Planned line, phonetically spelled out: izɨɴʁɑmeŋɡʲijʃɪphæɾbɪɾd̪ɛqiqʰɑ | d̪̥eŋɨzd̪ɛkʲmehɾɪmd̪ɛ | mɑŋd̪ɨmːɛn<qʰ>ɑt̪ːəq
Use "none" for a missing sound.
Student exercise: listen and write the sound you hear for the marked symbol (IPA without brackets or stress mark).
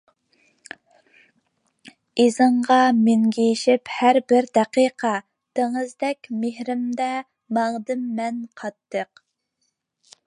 qʰ